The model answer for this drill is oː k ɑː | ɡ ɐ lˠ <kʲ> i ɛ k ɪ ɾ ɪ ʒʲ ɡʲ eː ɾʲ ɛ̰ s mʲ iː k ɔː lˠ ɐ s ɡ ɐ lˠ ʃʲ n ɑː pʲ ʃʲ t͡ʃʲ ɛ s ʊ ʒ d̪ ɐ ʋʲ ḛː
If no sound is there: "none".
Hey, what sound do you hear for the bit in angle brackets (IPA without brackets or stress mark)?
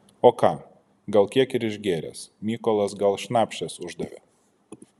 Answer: kʲ